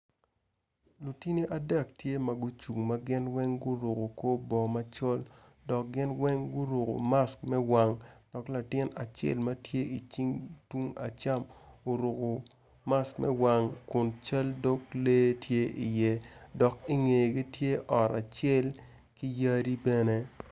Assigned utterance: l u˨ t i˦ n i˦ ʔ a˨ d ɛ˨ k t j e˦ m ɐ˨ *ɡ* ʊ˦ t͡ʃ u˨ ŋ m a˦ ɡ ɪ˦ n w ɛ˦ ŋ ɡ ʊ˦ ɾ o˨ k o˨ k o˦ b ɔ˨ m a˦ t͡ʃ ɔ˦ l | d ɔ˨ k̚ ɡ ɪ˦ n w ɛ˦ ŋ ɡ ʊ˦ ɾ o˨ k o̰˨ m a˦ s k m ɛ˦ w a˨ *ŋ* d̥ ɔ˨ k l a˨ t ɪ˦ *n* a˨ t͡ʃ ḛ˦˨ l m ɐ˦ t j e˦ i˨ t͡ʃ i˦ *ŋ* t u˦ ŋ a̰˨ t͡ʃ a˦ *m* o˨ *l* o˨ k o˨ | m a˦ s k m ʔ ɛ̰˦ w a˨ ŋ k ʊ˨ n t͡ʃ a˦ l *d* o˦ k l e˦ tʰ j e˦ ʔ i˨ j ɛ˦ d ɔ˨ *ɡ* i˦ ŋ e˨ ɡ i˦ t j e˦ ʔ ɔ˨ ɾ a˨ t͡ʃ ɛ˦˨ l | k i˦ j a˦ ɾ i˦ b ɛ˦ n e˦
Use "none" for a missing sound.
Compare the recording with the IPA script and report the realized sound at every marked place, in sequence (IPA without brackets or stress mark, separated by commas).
ɡ, ŋ, n, ŋ, m, ɾ, d, k